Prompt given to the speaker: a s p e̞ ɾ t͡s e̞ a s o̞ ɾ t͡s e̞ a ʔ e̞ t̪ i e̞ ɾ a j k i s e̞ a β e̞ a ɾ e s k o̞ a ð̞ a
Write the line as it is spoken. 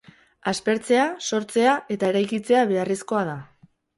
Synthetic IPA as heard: a s p e̞ ɾ t͡s e̞ a s o̞ ɾ t͡s e̞ a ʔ e̞ t̪ a e̞ ɾ a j k i t͡s e̞ a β e̞ a r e s k o̞ a ð̞ a